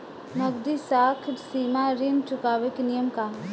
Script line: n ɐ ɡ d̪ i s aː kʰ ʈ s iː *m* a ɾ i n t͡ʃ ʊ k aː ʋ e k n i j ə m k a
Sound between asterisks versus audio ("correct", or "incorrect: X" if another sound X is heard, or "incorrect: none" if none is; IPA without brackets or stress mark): correct